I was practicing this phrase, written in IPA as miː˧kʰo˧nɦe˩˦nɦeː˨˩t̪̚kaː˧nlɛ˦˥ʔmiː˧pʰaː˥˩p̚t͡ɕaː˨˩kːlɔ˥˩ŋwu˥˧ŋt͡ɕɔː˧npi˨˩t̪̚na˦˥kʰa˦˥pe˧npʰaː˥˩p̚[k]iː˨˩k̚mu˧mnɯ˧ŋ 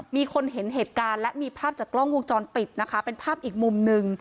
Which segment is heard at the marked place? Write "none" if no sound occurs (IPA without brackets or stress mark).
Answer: ʔ